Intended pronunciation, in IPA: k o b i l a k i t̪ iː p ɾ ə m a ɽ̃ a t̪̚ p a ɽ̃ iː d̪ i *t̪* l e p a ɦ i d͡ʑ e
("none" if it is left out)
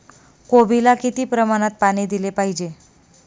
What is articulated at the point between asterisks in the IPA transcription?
none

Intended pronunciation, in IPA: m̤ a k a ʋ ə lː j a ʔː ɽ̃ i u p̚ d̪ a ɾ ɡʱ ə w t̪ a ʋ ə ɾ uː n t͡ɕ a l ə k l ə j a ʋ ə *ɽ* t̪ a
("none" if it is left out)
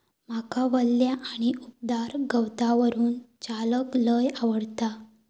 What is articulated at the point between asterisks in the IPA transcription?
ɽ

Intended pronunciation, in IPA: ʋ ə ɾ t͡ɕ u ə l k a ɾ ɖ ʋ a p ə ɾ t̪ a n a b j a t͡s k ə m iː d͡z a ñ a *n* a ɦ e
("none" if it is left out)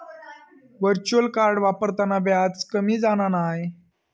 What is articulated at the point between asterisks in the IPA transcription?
n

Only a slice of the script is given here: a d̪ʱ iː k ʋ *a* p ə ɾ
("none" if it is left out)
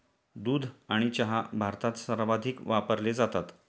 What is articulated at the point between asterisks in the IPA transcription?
a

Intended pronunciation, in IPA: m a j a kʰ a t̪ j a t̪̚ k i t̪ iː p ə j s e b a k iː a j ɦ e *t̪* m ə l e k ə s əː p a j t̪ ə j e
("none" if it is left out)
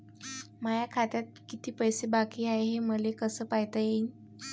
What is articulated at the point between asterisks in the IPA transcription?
none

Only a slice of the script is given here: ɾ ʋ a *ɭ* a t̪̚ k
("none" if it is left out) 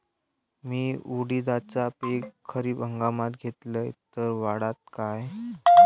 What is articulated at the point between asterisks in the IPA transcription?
ɽ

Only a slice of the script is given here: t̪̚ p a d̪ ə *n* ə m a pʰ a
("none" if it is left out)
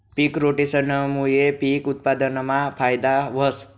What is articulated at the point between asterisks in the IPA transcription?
n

